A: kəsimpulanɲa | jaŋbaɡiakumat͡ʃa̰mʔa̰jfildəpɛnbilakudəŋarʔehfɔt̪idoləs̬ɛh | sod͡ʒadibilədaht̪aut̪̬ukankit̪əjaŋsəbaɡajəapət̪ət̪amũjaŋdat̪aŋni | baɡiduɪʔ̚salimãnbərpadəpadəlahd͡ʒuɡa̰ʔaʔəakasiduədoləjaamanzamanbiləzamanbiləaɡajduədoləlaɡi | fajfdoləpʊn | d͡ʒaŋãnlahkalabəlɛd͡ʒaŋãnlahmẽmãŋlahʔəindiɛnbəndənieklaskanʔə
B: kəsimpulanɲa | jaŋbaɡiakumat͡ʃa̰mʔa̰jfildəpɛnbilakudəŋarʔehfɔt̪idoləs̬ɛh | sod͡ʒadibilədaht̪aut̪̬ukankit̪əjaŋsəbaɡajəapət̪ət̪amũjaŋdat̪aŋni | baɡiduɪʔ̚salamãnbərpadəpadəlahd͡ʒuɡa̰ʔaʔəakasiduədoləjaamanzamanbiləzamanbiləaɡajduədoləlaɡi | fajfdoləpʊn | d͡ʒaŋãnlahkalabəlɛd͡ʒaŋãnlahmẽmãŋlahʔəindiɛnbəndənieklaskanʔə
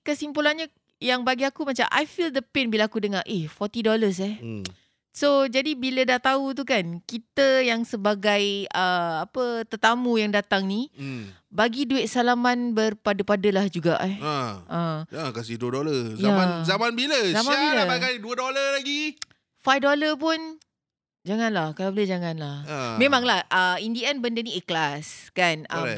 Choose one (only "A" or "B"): B